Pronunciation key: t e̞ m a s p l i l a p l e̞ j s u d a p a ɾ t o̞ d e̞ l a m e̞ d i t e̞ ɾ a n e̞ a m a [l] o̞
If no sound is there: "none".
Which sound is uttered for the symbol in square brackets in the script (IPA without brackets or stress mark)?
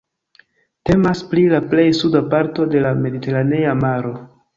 ɾ